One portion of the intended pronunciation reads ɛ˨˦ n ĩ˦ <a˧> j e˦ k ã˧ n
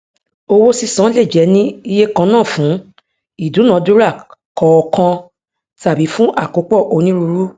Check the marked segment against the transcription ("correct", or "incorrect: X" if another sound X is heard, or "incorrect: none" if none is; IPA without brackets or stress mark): incorrect: i˧